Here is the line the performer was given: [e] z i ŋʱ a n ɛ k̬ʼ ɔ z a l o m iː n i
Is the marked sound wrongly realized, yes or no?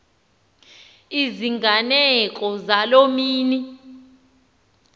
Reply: yes